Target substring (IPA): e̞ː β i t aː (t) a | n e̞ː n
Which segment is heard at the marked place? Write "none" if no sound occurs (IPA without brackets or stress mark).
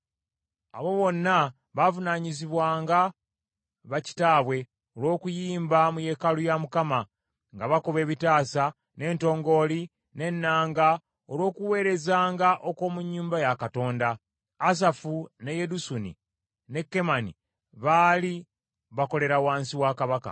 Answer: s